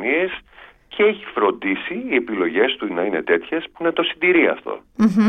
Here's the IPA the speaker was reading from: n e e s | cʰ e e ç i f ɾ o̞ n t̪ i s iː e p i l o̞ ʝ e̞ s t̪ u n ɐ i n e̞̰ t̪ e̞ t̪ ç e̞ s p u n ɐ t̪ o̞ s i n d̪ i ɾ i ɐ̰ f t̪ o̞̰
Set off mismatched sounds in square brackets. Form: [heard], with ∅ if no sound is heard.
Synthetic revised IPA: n [i] e s | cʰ e e ç i f ɾ o̞ n [d̪] i s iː e p i l o̞ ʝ e̞ s t̪ u n ɐ i n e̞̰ t̪ e̞ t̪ ç e̞ s p u n ɐ t̪ o̞ s i n d̪ i ɾ i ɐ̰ f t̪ o̞̰